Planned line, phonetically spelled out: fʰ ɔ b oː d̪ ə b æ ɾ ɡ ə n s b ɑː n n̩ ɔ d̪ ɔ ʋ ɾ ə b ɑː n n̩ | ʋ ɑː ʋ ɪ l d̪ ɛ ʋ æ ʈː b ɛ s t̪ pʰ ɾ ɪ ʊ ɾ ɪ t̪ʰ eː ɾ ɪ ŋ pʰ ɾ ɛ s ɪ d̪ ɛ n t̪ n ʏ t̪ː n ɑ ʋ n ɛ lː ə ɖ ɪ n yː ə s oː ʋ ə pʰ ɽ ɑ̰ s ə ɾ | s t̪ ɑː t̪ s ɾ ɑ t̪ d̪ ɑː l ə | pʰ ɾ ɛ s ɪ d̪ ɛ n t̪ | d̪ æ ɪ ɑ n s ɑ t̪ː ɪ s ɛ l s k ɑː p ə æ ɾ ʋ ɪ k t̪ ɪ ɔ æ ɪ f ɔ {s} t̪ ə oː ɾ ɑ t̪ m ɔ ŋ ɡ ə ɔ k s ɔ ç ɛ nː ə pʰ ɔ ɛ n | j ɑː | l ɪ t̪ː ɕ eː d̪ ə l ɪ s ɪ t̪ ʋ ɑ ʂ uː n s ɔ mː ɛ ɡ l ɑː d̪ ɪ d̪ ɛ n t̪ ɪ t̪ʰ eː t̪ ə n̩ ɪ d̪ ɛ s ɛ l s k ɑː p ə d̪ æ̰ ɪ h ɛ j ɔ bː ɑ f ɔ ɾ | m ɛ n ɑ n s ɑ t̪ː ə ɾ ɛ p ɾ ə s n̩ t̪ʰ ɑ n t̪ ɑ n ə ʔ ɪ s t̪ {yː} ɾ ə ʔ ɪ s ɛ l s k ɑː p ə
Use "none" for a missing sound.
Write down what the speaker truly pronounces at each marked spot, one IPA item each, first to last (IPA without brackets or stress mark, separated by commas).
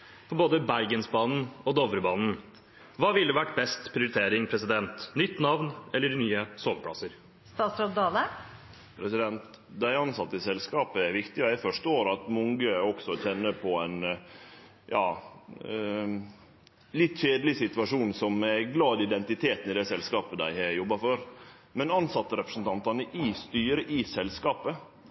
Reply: ʂ, yː